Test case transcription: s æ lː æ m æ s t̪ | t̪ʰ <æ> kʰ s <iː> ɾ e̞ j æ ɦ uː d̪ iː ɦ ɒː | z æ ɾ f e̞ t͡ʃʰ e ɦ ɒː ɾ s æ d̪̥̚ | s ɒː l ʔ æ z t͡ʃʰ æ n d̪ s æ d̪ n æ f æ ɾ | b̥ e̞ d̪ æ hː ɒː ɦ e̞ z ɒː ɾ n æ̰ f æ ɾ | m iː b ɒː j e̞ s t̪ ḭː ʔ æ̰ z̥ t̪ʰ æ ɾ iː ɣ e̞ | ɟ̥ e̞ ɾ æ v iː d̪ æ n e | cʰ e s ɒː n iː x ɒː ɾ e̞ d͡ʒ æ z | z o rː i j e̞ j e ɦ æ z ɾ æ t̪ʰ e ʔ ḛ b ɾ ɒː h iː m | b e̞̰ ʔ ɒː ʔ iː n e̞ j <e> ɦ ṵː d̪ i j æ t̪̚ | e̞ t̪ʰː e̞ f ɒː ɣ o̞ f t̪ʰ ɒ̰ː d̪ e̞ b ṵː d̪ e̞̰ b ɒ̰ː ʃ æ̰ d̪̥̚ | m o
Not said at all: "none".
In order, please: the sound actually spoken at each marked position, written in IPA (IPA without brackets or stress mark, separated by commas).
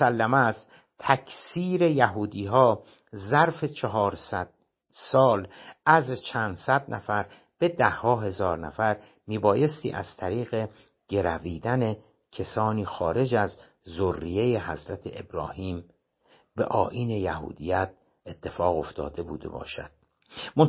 æ, iː, æ